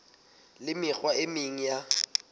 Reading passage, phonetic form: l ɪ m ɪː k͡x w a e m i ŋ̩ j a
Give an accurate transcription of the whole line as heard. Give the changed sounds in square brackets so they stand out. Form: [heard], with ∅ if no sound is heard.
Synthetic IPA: l ɪ m [ɪ] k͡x w a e m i ŋ̩ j a